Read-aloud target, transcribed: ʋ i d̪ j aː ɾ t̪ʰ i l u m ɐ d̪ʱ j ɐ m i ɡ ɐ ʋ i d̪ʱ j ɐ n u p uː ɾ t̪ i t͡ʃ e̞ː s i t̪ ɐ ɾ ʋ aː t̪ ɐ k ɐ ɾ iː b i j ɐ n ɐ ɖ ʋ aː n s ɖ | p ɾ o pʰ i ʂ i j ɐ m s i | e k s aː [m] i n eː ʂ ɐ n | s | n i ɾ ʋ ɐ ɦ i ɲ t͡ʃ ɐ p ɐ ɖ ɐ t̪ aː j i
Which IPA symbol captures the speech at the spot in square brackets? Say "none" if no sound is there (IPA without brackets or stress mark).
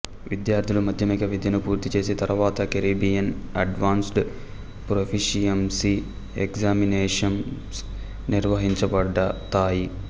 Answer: m